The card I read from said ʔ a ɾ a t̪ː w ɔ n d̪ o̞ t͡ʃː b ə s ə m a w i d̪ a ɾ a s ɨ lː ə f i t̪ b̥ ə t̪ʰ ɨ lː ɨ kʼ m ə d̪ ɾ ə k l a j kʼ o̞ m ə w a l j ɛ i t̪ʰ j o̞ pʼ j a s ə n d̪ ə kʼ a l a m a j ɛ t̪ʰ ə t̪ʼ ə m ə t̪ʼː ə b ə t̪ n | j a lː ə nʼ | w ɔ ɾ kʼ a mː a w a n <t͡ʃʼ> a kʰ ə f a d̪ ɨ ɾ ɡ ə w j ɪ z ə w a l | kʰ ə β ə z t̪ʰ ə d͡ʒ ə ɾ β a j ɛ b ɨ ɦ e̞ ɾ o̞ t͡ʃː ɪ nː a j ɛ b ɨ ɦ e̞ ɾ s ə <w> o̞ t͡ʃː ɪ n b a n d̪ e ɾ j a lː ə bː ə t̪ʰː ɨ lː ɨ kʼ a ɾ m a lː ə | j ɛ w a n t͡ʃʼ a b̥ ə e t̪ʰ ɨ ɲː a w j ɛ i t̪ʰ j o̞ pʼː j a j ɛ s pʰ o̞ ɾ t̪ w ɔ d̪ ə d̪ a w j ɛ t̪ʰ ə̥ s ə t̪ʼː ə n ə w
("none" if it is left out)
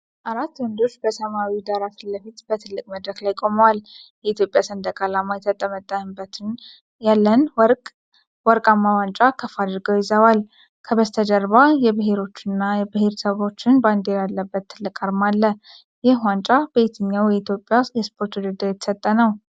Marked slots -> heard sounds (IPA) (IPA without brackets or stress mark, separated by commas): t͡ʃʼ, β